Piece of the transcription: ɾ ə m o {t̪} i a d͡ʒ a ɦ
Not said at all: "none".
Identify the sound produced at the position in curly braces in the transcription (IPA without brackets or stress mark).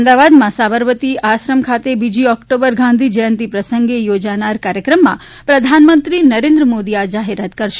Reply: d̪